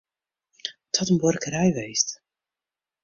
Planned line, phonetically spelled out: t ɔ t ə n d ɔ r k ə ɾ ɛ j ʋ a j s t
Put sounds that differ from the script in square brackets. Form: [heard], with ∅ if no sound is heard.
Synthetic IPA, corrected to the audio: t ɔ t ə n [b] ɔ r k ə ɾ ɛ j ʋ [e] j s t